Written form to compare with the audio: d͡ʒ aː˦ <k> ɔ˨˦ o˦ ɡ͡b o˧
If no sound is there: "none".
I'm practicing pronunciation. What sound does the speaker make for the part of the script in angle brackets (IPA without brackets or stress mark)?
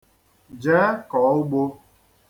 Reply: k